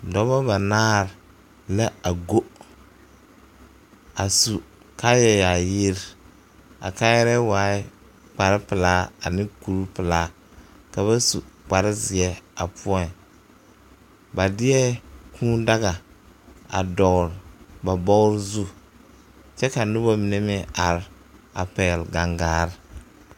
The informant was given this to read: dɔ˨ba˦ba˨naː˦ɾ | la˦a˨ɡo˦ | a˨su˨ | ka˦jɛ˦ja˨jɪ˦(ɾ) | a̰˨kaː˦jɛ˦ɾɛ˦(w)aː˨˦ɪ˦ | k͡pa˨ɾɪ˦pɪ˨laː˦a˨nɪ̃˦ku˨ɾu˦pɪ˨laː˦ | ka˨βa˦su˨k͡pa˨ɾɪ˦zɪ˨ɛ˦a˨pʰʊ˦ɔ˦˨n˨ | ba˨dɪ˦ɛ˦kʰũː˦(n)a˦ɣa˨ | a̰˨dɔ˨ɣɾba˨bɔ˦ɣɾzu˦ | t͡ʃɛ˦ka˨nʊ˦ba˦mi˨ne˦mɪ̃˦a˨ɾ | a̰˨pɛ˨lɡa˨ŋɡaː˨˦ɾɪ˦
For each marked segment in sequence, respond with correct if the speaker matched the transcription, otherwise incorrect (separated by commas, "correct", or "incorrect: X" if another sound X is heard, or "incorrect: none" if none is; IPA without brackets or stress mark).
correct, correct, incorrect: d